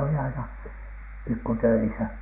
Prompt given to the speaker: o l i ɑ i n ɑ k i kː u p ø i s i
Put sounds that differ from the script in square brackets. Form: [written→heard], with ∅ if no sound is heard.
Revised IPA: o l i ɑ i n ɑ [k→p] i kː u [p→t] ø i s [i→æ]